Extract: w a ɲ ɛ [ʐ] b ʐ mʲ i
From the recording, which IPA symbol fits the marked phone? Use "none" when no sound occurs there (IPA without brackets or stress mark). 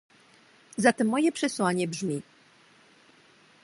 none